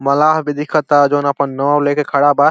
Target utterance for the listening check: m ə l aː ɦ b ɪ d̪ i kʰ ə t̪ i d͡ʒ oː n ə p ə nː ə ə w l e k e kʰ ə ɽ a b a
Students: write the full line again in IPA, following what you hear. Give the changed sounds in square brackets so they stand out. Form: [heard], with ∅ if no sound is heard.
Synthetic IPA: m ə l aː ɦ b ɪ d̪ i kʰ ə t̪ [a] d͡ʒ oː n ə p ə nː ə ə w l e k e kʰ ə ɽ a b a